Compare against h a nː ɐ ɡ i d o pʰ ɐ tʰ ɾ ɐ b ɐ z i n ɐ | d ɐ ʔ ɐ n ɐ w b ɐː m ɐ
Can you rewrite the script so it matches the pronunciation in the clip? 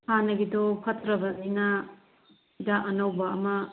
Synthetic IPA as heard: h a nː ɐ ɡ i d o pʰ ɐ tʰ ɾ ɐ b ɐ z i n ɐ | d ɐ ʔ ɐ n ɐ w b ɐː m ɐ